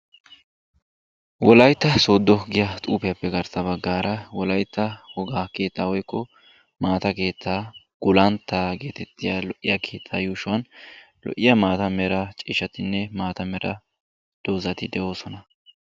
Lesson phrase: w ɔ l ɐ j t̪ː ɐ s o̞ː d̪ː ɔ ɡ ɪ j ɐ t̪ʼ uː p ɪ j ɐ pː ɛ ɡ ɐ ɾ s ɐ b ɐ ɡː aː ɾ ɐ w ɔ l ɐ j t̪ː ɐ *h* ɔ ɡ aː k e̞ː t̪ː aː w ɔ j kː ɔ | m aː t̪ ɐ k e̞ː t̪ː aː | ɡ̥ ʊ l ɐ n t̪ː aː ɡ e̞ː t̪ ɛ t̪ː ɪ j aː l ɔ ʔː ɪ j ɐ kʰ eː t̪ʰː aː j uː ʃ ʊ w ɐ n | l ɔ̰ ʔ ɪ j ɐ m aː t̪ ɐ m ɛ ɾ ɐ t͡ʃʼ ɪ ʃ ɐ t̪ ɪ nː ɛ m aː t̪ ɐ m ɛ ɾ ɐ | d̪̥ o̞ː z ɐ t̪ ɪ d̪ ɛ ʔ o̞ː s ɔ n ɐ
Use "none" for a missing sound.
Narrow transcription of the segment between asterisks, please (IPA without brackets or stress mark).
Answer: h